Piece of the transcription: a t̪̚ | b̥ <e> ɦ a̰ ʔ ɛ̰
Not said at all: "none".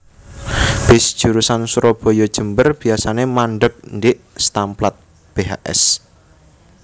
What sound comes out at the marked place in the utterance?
e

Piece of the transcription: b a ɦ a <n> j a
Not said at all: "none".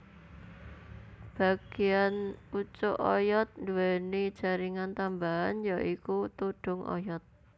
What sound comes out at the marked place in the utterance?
n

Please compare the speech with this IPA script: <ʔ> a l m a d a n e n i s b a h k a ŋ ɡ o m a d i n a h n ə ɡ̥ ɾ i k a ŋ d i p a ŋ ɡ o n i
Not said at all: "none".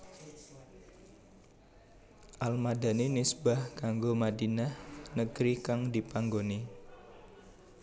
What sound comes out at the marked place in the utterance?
ʔ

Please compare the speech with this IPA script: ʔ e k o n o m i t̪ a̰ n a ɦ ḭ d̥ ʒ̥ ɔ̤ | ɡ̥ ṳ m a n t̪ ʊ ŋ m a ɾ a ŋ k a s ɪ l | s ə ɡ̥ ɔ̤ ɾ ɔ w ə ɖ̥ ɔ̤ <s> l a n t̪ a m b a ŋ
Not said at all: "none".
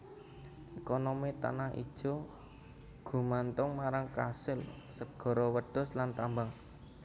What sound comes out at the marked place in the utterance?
s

